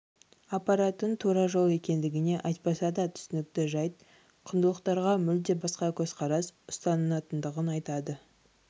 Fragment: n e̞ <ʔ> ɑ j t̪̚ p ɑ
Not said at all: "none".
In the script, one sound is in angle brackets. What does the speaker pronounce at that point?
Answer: ʔ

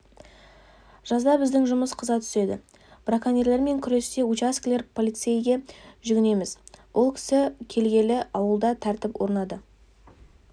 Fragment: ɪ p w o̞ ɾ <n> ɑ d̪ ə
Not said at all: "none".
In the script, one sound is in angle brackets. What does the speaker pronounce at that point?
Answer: n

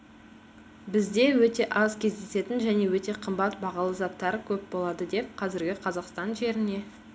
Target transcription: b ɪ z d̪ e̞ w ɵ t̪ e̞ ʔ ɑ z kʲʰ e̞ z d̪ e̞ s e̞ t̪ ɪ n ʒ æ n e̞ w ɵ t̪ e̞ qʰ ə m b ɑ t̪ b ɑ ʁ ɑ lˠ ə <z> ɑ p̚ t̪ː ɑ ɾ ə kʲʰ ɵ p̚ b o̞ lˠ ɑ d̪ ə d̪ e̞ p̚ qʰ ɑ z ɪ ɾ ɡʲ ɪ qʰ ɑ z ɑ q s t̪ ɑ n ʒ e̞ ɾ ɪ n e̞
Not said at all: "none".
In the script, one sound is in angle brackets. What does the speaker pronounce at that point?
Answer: z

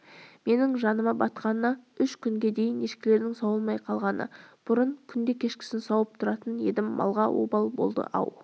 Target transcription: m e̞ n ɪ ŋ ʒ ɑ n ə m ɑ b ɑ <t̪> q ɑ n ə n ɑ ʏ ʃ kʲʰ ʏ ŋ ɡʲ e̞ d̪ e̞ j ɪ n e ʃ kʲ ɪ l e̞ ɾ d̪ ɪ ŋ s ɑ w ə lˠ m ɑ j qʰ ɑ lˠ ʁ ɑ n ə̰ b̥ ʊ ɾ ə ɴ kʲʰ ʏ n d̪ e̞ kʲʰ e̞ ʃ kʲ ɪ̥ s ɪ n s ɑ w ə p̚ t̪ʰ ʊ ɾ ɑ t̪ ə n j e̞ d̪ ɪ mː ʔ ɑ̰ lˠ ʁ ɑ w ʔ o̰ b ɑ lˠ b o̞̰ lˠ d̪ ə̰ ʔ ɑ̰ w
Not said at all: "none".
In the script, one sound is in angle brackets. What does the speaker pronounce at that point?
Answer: t̪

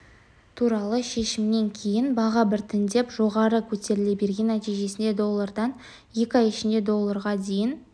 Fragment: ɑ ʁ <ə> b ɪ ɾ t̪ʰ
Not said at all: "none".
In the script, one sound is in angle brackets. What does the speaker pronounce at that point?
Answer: ɑ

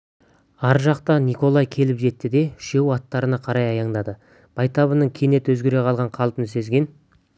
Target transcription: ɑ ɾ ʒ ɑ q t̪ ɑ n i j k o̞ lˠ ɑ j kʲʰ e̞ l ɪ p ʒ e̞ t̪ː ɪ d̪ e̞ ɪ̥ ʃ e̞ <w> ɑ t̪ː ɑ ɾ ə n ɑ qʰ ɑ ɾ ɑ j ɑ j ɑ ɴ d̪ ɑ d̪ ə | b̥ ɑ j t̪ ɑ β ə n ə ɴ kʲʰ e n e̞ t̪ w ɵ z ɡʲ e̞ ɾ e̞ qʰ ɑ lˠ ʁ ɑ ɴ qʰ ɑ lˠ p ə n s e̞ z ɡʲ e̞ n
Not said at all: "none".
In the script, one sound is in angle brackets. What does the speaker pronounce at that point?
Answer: w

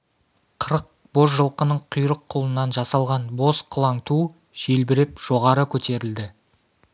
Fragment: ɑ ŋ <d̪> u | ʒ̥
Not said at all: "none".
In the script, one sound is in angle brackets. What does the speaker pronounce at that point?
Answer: t̪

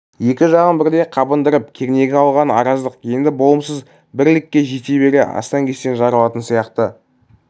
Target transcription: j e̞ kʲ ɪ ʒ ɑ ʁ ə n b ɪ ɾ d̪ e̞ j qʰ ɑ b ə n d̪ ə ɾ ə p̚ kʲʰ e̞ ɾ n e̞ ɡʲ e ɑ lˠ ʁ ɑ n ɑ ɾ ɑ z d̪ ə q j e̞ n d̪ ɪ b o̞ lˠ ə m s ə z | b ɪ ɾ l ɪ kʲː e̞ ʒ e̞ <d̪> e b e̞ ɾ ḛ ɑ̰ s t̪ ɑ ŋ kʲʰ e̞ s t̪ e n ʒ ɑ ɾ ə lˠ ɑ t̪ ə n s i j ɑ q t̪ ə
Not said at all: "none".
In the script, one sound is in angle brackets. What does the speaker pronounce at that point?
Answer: t̪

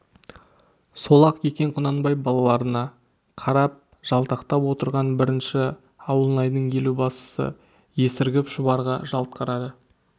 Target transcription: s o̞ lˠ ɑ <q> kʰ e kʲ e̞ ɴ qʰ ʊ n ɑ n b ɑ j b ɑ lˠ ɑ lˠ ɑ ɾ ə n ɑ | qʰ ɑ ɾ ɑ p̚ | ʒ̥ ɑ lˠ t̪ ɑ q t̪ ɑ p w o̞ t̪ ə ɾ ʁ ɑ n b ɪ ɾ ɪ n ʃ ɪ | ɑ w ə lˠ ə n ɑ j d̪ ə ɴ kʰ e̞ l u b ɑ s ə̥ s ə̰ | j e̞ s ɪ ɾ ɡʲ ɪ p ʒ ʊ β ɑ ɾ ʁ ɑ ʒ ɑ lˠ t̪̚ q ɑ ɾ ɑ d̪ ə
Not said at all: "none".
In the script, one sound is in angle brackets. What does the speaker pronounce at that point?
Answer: q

